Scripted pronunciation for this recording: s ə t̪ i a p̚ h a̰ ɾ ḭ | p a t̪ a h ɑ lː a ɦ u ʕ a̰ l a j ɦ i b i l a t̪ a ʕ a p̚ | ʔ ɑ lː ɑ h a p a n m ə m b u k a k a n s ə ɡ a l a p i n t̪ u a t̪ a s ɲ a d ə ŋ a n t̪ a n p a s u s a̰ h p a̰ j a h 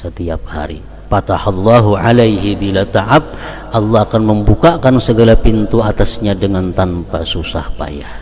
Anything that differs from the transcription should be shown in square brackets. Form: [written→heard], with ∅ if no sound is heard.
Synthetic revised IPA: s ə t̪ i a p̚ h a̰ ɾ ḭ | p a t̪ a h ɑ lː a ɦ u ʕ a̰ l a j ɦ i b i l a t̪ a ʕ a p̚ | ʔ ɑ lː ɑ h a [p→k] a n m ə m b u k a k a n s ə ɡ a l a p i n t̪ u a t̪ a s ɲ a d ə ŋ a n t̪ a n p a s u s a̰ h p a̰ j a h